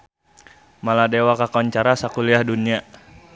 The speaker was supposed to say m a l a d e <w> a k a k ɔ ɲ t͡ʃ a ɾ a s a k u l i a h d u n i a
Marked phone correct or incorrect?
correct